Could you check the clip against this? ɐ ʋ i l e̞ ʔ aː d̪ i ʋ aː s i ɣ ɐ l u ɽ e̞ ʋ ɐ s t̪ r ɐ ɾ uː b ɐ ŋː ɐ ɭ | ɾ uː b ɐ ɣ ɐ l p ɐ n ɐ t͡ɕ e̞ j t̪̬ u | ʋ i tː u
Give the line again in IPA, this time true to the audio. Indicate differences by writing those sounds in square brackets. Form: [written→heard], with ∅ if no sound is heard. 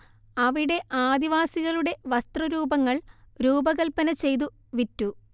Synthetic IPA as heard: ɐ ʋ i [l→ɽ] e̞ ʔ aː d̪ i ʋ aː s i ɣ ɐ [l→ɭ] u ɽ e̞ ʋ ɐ s t̪ r ɐ ɾ uː b ɐ ŋː ɐ ɭ | ɾ uː b ɐ ɣ ɐ l p ɐ n ɐ t͡ɕ e̞ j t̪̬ u | ʋ i tː u